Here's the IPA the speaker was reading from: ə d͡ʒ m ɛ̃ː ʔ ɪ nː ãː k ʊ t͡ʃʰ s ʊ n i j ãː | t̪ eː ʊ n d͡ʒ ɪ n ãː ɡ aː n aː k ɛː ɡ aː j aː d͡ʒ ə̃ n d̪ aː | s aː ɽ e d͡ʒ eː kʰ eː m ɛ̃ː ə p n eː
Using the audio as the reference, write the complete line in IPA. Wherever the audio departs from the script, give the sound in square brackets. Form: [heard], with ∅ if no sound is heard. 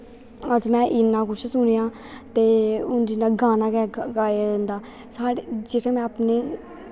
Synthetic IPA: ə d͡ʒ m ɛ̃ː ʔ ɪ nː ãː k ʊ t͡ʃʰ s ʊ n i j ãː | t̪ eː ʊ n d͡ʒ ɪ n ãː ɡ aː n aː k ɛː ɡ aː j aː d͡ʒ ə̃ n d̪ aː | s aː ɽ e d͡ʒ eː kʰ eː m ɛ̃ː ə p n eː

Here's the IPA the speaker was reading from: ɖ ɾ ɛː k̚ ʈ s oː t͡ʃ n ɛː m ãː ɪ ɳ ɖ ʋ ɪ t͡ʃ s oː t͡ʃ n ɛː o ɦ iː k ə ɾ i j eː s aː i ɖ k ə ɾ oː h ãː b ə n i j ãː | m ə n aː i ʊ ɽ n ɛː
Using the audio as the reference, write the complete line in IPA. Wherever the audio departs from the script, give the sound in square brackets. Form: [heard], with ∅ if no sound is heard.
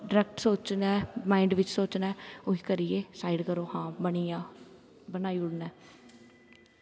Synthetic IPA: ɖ ɾ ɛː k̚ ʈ s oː t͡ʃ n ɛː m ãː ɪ ɳ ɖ ʋ ɪ t͡ʃ s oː t͡ʃ n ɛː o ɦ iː k ə ɾ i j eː s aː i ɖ k ə ɾ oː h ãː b ə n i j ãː | [b] ə n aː i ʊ ɽ n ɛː

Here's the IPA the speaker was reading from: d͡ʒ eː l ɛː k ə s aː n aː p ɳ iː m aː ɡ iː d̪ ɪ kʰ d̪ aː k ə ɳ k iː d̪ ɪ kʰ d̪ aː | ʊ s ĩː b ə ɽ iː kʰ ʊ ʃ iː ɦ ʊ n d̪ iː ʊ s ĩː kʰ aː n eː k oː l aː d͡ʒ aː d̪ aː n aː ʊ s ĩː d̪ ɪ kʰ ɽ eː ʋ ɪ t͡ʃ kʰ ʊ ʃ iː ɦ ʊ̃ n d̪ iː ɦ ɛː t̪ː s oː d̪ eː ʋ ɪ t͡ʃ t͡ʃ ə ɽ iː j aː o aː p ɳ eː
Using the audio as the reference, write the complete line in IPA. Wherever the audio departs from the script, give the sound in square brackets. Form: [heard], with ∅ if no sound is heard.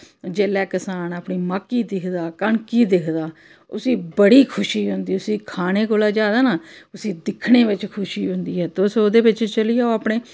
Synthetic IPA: d͡ʒ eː l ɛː k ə s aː n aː p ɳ iː m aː [k] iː d̪ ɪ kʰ d̪ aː k ə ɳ k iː d̪ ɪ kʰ d̪ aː | ʊ s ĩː b ə ɽ iː kʰ ʊ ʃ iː ɦ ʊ n d̪ iː ʊ s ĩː kʰ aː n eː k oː l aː d͡ʒ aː d̪ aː n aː ʊ s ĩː d̪ ɪ kʰ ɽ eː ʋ ɪ t͡ʃ kʰ ʊ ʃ iː ɦ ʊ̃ n d̪ iː ɦ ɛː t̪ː s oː d̪ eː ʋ ɪ t͡ʃ t͡ʃ ə [l] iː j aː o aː p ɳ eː

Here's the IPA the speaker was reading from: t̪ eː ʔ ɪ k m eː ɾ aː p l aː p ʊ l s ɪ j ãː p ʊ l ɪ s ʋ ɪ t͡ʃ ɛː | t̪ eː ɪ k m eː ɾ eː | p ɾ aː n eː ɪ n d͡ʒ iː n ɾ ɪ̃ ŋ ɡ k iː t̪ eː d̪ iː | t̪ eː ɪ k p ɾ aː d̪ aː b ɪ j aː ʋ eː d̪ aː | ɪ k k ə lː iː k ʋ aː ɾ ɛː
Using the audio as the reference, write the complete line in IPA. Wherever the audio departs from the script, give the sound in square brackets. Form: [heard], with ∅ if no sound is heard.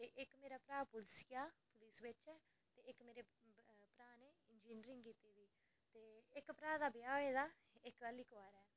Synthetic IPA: t̪ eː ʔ ɪ k m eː ɾ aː p [ɾ] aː p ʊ l s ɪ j [aː] p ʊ l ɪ s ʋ ɪ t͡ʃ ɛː | t̪ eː ɪ k m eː ɾ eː | p ɾ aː n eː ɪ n d͡ʒ iː n ɾ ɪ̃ ŋ ɡ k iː t̪ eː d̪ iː | t̪ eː ɪ k p ɾ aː d̪ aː b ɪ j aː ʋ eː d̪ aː | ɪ k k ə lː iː k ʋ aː ɾ ɛː

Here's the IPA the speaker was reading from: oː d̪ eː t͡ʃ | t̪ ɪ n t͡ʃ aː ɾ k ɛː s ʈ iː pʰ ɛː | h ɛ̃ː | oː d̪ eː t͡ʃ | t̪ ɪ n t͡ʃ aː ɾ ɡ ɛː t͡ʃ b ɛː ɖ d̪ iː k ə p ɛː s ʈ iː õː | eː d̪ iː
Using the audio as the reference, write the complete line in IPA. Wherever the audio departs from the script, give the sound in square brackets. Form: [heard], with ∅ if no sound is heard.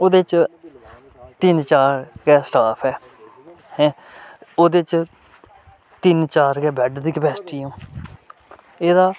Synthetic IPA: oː d̪ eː t͡ʃ | t̪ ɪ n t͡ʃ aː ɾ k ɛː s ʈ [aː] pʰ ɛː | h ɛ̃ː | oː d̪ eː t͡ʃ | t̪ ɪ n t͡ʃ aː ɾ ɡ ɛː [∅] b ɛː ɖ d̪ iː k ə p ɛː s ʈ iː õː | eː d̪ [aː]

